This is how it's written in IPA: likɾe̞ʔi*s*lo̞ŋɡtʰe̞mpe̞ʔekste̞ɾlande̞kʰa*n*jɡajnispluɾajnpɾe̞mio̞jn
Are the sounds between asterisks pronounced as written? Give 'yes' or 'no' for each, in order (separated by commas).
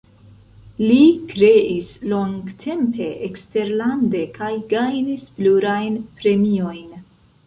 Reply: yes, no